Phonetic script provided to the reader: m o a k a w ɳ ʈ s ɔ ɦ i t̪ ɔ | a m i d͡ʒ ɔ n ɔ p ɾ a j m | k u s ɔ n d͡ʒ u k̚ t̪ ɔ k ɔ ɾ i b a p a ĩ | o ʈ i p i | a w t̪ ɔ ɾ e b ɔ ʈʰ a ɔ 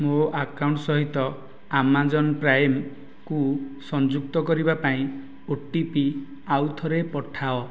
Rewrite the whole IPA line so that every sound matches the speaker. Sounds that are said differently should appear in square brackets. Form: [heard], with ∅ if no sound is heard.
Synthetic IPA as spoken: m o a k a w ɳ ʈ s ɔ ɦ i t̪ ɔ | a m [a] d͡ʒ ɔ n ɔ p ɾ a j m | k u s ɔ n d͡ʒ u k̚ t̪ ɔ k ɔ ɾ i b a p a ĩ | o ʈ i p i | a w [t̪ʰ] ɔ ɾ e [p] ɔ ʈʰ a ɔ